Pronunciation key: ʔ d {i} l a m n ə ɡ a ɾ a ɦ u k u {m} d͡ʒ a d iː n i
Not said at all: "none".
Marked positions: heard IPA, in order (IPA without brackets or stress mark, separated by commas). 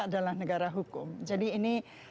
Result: a, m